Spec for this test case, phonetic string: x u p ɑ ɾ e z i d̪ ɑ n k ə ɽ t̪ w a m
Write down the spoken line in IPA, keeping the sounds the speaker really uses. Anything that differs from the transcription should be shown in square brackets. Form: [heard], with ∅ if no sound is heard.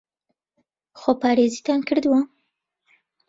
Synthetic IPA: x [o] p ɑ ɾ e z i [t̪] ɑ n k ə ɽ [d̪] w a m